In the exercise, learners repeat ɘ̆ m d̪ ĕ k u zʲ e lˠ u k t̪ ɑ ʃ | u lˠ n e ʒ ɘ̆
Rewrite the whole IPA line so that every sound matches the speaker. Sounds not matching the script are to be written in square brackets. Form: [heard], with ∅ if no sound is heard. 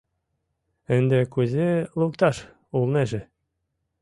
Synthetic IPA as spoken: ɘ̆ [n] d̪ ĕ k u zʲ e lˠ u k t̪ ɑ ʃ | u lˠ n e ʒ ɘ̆